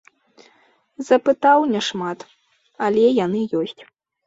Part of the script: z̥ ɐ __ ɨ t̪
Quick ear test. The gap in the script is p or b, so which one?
p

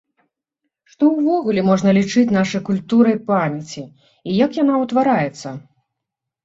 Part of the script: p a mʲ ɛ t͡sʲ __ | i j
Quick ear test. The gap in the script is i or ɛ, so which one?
i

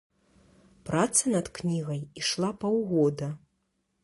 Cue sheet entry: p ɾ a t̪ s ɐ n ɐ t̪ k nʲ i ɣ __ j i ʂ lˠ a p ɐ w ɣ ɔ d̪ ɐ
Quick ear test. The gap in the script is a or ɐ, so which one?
ɐ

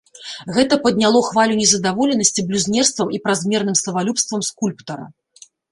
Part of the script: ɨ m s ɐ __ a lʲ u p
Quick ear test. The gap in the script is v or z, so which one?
v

